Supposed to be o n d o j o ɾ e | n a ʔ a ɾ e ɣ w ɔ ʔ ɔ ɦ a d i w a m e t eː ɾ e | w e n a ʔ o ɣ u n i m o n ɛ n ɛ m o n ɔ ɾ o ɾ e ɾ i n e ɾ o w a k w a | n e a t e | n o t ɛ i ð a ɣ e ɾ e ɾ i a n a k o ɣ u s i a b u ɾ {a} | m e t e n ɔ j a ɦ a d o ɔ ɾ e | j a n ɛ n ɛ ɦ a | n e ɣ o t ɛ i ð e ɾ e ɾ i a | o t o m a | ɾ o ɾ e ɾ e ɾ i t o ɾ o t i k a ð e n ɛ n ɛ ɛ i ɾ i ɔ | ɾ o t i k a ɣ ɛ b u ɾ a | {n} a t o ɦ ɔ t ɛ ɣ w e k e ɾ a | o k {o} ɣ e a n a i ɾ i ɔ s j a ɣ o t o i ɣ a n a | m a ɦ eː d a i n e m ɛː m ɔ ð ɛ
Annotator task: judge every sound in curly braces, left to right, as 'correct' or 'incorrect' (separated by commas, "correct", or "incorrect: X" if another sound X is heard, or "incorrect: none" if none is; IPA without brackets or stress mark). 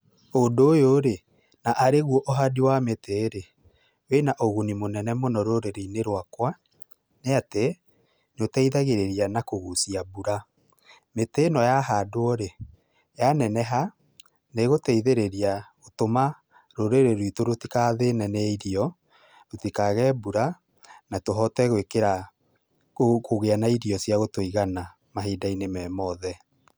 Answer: correct, correct, correct